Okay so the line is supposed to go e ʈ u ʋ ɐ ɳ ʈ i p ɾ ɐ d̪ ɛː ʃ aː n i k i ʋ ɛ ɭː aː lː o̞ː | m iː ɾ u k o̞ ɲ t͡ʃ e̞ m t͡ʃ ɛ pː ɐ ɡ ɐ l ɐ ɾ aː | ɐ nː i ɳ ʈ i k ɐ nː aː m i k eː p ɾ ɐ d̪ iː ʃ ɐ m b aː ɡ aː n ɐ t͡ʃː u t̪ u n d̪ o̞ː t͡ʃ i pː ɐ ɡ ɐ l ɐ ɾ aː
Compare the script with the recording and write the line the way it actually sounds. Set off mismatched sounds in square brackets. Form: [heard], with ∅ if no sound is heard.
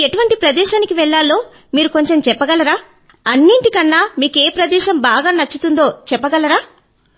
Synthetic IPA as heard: e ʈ u ʋ ɐ ɳ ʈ i p ɾ ɐ d̪ ɛː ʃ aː n i k i ʋ ɛ ɭː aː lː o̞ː | m iː ɾ u k o̞ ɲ t͡ʃ e̞ m t͡ʃ ɛ pː ɐ ɡ ɐ l ɐ ɾ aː | ɐ nː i ɳ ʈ i k ɐ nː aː m [iː] k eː p ɾ ɐ d̪ [ɛː] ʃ ɐ m b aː ɡ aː n ɐ t͡ʃː u t̪ u n d̪ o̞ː t͡ʃ [ɛ] pː ɐ ɡ ɐ l ɐ ɾ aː